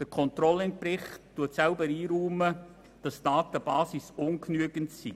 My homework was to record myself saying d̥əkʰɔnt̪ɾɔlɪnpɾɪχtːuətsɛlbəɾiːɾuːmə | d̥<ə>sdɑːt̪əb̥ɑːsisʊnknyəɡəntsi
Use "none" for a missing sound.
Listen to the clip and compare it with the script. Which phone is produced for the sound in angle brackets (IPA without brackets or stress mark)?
ɑ